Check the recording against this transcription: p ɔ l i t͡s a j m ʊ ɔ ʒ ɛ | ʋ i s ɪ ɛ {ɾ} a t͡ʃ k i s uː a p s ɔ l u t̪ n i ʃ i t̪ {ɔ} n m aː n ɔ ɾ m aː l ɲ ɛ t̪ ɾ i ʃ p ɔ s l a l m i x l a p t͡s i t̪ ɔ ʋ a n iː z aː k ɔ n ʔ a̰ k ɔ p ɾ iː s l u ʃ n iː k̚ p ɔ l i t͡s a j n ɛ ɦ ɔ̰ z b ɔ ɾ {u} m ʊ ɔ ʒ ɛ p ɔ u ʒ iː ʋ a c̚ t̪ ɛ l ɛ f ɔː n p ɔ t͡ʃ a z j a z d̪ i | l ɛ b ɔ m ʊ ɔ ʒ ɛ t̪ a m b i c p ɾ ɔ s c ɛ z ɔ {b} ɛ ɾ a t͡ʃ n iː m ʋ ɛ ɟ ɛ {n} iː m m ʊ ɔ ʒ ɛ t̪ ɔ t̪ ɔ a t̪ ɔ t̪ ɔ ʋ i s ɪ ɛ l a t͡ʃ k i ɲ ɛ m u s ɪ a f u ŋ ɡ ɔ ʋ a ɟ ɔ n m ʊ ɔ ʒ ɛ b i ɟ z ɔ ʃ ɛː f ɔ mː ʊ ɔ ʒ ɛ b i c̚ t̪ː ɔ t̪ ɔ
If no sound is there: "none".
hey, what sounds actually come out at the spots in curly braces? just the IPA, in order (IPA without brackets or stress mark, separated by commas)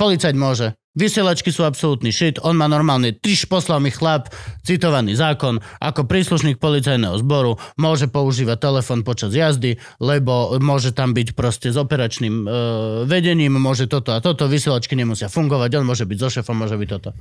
l, ɔ, u, p, ɲ